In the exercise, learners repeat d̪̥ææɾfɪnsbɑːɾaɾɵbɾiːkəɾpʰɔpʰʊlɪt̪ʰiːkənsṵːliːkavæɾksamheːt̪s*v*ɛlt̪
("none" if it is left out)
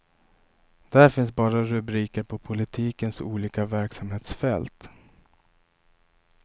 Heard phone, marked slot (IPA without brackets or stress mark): f